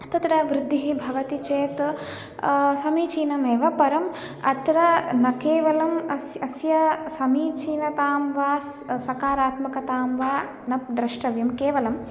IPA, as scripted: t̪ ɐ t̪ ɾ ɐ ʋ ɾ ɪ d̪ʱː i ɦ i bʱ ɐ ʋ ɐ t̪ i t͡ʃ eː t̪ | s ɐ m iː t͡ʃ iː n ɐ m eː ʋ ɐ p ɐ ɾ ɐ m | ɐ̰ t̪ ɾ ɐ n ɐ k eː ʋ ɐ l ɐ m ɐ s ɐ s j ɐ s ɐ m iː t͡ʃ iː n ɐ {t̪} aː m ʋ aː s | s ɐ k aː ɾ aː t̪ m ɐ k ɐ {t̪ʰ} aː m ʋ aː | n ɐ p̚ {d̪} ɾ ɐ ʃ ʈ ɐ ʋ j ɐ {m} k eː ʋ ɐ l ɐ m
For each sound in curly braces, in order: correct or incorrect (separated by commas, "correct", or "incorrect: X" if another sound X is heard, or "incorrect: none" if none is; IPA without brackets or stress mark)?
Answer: correct, incorrect: t̪, correct, correct